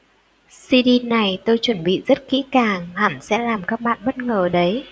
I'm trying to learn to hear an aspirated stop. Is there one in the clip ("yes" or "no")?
no